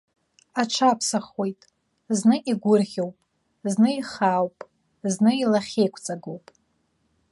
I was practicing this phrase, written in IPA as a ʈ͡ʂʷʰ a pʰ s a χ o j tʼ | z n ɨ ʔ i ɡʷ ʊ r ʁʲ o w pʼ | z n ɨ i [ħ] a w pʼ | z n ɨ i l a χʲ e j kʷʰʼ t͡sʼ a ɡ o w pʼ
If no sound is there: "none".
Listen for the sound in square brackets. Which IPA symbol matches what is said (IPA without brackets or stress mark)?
χ